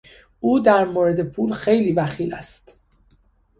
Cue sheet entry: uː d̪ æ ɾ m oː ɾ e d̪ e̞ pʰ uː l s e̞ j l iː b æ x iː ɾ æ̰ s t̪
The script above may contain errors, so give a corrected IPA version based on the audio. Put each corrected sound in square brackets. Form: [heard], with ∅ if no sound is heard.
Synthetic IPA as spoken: uː d̪ æ ɾ m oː ɾ e d̪ e̞ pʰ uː l [x] e̞ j l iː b æ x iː [l] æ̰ s t̪